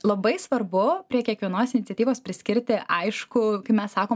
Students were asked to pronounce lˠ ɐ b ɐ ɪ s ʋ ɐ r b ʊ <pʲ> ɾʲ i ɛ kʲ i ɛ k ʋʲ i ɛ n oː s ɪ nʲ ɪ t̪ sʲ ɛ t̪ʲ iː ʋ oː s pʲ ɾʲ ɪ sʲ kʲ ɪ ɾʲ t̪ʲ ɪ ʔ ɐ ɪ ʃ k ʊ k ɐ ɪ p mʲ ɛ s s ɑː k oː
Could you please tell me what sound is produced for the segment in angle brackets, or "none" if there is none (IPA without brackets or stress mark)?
pʲ